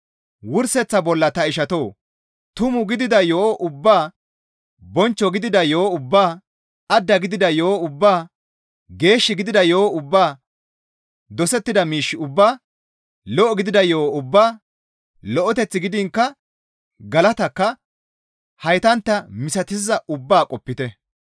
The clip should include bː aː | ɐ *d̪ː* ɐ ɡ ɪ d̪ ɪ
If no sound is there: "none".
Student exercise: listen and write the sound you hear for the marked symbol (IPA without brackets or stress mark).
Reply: d̪ː